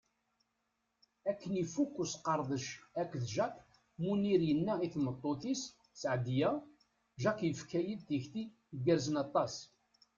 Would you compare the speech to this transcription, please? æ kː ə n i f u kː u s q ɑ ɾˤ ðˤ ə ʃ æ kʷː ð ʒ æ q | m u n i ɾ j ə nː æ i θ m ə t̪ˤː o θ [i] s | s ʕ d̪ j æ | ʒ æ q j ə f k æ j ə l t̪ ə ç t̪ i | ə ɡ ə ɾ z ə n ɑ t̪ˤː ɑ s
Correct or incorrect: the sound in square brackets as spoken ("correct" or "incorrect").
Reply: correct